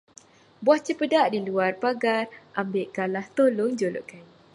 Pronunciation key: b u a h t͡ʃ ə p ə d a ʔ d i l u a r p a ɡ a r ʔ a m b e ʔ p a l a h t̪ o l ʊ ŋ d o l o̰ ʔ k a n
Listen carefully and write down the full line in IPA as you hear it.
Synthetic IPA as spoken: b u a h t͡ʃ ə p ə d a ʔ d i l u a r p a ɡ a r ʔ a m b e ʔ k a l a h t̪ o l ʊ ŋ d͡ʒ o l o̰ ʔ k a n